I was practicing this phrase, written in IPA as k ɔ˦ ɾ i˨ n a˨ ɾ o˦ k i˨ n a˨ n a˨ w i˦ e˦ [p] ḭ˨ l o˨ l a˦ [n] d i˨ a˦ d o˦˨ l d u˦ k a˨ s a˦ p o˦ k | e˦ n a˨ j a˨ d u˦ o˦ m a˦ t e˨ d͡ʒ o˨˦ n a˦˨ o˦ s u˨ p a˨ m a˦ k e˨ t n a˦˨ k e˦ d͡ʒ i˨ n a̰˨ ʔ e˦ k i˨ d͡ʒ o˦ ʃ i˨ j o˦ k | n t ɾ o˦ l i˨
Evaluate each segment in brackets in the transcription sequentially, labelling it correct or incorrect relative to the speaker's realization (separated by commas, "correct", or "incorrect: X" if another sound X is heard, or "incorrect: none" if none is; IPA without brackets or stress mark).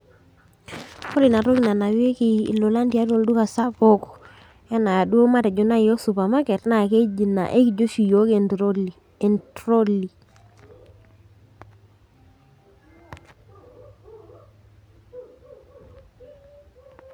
incorrect: k, correct